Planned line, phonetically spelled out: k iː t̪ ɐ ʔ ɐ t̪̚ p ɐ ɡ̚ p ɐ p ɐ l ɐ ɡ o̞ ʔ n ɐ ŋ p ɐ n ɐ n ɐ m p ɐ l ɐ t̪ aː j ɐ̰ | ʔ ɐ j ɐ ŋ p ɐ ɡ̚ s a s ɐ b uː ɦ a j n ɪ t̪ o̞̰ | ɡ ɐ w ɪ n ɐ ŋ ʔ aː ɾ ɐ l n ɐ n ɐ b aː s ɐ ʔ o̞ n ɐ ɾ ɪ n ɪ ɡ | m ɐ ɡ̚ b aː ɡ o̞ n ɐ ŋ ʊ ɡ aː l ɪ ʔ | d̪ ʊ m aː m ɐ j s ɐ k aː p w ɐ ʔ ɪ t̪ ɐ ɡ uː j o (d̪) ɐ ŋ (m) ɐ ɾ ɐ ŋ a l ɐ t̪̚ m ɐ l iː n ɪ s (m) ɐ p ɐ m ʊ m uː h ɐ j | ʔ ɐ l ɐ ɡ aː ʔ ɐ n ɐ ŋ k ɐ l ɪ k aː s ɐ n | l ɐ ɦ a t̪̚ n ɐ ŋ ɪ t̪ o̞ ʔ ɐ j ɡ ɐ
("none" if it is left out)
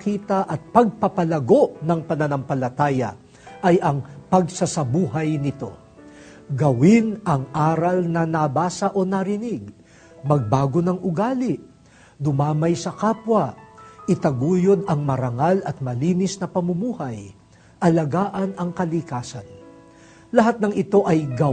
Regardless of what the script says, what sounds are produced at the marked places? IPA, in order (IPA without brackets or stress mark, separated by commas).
d̪, m, n